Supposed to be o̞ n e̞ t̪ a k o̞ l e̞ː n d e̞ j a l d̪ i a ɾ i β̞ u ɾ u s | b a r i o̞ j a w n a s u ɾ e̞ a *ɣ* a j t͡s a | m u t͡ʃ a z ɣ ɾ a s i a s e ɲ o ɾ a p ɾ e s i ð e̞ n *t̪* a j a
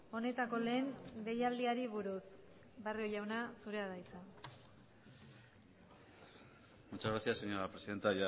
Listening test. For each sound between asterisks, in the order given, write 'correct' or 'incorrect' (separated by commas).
incorrect, correct